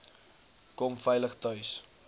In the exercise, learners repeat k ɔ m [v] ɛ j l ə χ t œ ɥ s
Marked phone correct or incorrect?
incorrect